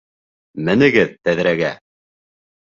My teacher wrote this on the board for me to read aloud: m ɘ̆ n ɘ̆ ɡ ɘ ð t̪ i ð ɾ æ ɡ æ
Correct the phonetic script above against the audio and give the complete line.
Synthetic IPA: m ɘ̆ n ɘ̆ ɡ ɘ ð t̪ æ ð ɾ æ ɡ æ